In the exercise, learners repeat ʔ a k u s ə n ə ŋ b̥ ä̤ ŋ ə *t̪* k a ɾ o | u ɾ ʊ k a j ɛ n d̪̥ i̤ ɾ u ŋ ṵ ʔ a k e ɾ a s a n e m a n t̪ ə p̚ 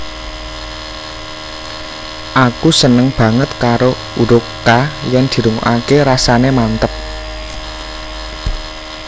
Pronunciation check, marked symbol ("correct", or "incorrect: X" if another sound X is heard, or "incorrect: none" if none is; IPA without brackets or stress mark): correct